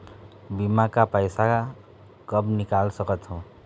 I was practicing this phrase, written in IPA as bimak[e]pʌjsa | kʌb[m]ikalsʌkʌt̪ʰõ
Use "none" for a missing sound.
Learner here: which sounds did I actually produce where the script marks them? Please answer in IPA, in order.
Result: a, n

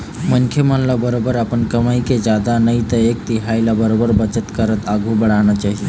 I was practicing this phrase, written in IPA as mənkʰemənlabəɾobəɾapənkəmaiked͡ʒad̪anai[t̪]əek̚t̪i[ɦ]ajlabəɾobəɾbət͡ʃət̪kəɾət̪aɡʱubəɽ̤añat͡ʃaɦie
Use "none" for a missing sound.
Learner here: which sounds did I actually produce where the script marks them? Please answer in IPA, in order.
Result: t̪, ɦ

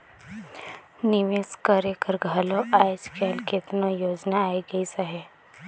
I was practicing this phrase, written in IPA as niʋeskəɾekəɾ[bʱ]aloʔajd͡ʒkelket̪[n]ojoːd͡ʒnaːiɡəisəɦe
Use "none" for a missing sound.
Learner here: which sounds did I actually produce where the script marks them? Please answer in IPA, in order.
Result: ɡʱ, n

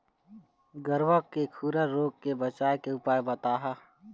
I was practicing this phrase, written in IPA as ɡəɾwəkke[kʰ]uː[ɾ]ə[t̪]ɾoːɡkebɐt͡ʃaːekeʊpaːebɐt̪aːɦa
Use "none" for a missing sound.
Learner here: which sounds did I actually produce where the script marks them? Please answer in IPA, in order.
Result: kʰ, ɾ, none

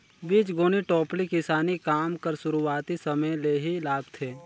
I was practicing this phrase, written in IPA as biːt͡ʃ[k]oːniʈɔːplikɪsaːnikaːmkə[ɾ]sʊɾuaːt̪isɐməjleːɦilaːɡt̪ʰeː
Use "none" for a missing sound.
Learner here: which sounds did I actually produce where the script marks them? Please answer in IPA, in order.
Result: ɡ, ɾ

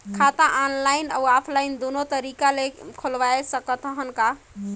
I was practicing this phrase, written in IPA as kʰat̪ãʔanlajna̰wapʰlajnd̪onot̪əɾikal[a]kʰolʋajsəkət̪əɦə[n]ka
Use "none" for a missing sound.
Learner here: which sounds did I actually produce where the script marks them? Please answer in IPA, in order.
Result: e, n

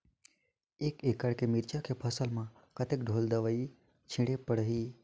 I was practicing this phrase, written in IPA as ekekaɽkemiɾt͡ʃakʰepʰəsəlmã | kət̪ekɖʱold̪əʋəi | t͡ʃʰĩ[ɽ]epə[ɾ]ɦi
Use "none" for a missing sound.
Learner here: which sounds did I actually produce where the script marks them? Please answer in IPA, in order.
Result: ɽ, ɽ

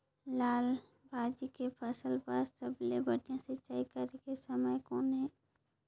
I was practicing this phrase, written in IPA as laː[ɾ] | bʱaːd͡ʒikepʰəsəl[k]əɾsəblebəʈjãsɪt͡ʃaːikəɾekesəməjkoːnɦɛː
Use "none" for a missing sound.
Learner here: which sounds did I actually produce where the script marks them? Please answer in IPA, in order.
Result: l, p

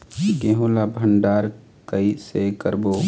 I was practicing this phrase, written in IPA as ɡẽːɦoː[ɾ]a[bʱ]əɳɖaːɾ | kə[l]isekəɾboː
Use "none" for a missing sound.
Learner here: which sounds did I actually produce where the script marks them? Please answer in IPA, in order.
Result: l, bʱ, none

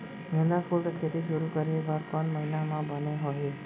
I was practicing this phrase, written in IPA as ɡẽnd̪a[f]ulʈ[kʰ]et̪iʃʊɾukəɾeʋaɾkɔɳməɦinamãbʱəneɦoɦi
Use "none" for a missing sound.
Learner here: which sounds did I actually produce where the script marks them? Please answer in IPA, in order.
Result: f, kʰ

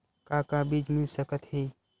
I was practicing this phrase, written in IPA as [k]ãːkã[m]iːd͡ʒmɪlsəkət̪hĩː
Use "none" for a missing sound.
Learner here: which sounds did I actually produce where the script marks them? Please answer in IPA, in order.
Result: k, b

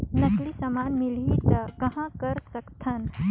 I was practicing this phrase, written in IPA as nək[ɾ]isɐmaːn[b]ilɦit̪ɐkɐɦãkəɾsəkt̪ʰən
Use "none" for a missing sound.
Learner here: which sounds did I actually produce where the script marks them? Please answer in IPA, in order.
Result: l, m

